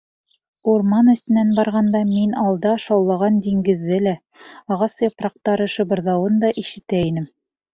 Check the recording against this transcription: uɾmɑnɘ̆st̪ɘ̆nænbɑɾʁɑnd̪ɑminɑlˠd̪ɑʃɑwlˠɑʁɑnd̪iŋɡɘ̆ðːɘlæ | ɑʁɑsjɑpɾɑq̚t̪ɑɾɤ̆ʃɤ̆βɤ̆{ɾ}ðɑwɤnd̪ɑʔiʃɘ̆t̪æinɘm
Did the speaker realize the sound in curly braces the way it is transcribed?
yes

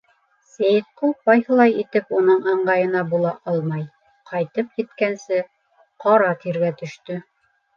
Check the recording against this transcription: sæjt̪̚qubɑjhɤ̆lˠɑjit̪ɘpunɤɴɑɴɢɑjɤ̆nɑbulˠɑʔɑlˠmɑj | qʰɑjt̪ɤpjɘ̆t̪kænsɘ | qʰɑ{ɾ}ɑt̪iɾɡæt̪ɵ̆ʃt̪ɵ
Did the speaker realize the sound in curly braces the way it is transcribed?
yes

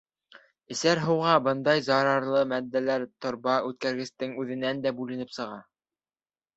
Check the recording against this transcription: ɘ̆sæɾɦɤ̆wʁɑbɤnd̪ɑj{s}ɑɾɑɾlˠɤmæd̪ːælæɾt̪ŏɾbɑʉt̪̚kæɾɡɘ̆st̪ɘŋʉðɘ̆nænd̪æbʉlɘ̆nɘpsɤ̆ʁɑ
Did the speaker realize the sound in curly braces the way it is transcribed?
no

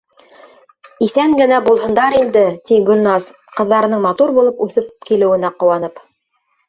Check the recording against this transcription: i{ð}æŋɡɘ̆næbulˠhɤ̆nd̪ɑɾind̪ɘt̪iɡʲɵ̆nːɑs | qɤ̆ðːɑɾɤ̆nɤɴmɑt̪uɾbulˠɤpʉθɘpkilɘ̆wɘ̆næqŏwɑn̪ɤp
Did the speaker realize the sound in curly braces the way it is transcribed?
no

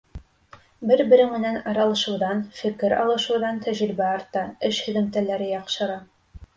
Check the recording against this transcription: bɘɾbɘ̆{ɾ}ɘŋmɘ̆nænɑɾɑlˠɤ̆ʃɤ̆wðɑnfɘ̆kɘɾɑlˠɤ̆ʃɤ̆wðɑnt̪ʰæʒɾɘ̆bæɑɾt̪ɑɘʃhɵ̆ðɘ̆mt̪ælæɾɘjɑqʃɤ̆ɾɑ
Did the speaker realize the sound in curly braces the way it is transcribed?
yes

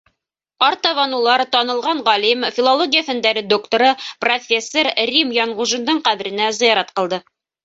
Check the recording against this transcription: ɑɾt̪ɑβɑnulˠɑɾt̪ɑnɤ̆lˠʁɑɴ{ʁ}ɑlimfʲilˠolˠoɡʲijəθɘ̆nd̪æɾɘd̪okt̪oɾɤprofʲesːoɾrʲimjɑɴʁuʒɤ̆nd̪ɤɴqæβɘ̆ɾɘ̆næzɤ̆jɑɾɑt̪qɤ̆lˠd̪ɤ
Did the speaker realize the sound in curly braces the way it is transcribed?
yes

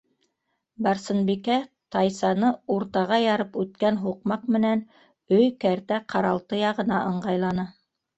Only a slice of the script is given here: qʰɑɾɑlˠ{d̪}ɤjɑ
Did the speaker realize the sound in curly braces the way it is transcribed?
no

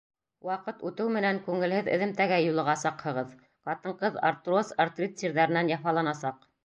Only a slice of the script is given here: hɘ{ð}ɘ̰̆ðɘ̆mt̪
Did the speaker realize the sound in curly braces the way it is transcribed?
yes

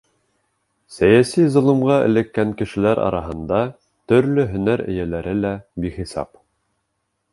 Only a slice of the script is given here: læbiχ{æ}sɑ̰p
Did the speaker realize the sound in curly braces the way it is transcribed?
no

